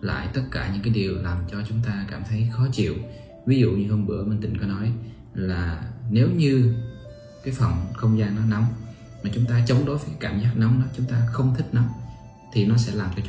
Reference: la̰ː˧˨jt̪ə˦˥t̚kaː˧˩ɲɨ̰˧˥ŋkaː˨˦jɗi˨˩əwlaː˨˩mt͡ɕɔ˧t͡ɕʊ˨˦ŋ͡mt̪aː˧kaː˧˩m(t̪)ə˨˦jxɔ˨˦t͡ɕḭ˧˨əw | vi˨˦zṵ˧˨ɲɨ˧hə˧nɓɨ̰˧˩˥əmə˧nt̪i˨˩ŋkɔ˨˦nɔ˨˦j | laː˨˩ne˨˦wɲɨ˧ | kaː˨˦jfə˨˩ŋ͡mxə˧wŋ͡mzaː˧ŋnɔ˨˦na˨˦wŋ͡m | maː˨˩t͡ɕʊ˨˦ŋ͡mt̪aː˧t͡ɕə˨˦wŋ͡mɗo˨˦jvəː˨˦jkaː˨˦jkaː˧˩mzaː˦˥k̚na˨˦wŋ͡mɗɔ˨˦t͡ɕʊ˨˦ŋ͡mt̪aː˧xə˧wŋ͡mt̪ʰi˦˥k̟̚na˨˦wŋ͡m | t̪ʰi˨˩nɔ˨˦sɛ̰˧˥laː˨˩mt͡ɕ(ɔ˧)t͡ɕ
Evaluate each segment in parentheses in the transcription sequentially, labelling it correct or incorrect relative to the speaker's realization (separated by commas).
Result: incorrect, correct